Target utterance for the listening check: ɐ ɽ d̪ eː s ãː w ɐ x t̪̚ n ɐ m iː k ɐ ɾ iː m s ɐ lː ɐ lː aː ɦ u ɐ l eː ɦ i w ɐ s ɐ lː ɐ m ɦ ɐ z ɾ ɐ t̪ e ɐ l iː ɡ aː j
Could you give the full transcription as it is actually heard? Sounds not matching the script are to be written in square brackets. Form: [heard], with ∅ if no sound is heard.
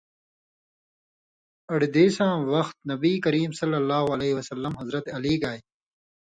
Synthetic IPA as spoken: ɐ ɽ d̪ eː s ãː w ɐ x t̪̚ n ɐ [b] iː k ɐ ɾ iː m s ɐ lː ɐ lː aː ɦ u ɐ l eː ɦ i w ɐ s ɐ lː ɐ m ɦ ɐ z ɾ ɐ t̪ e ɐ l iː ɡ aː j